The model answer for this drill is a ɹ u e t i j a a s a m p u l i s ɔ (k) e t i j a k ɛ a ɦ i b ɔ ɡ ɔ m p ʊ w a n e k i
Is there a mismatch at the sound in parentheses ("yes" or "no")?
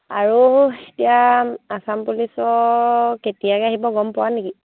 no